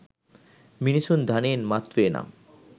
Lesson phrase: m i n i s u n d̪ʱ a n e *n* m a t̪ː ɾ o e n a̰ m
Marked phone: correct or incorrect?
correct